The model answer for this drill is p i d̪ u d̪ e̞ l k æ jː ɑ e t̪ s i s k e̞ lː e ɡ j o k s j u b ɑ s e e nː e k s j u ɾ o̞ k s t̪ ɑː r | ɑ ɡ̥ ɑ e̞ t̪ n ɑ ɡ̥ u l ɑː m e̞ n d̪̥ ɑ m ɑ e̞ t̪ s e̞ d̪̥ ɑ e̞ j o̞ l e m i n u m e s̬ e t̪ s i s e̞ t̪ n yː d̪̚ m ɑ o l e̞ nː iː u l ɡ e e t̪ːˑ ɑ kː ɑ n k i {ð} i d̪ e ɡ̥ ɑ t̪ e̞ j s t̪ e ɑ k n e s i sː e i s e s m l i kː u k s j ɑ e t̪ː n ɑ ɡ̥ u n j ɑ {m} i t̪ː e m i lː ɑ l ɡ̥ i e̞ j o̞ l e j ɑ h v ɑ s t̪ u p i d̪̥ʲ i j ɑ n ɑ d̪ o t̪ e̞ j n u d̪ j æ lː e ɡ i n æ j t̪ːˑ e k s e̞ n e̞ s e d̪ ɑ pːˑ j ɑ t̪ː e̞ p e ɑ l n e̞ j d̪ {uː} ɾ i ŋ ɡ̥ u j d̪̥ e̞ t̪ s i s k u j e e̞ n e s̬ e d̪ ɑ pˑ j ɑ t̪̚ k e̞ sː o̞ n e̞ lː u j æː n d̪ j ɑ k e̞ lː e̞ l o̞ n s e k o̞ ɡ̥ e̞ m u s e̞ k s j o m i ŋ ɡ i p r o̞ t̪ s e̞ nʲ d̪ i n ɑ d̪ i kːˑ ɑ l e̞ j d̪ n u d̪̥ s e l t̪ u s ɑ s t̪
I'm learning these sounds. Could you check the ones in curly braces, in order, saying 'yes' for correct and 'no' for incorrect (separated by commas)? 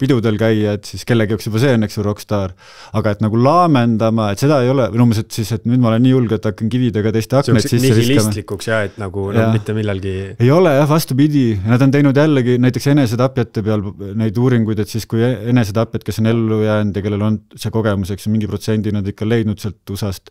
no, yes, yes